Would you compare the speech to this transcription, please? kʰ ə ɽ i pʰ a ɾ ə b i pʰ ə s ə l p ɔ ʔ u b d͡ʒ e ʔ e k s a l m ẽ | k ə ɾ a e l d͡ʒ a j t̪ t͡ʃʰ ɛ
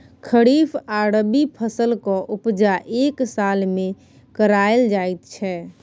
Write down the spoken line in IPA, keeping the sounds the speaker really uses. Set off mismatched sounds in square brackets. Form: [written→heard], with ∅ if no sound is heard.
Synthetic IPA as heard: kʰ ə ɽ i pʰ a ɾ ə b i pʰ ə s ə l [p→k] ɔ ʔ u [b→p] d͡ʒ [e→a] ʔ e k s a l m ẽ | k ə ɾ a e l d͡ʒ a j t̪ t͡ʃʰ ɛ